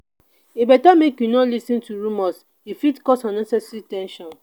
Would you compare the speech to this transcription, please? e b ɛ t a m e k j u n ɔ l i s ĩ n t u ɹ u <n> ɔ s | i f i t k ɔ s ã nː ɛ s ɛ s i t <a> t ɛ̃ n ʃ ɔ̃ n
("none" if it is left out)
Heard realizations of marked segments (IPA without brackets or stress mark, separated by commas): m, i